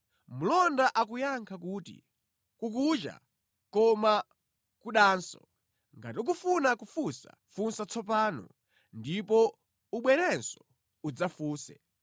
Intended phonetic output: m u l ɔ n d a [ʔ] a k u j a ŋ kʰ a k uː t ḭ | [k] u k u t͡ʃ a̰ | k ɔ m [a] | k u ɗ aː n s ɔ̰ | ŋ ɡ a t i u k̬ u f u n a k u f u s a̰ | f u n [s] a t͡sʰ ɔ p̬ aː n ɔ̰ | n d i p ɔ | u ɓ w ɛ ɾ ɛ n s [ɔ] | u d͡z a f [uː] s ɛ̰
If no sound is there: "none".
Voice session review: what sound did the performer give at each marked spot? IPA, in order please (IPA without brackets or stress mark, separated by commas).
ʔ, k, a, s, ɔ, uː